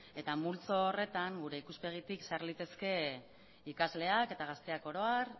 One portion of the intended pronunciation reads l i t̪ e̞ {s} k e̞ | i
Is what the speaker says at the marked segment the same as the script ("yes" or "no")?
yes